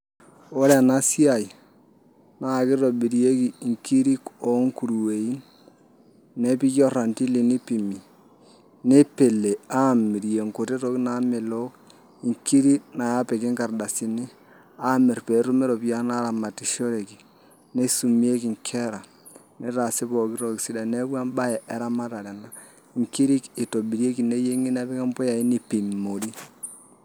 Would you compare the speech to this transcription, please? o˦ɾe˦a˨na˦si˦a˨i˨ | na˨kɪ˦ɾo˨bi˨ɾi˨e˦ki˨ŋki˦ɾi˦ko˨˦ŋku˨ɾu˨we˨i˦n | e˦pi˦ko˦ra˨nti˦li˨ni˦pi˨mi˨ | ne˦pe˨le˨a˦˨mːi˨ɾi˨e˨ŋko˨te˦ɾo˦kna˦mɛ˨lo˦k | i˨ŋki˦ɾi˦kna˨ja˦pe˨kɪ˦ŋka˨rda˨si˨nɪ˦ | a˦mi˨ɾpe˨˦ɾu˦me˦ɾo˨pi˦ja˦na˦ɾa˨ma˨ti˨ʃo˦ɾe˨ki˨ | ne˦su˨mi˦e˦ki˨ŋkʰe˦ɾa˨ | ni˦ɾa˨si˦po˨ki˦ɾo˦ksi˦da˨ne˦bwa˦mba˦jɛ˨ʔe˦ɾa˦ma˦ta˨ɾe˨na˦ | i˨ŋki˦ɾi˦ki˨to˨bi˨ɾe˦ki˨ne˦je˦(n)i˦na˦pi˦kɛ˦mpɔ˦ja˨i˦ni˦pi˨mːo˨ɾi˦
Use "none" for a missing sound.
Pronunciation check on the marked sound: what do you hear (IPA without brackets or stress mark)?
ŋ